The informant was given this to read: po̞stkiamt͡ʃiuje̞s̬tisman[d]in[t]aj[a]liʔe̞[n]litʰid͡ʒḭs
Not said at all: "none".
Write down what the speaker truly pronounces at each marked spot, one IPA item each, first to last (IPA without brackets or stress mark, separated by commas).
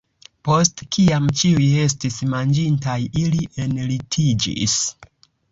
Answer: d͡ʒ, t, i, n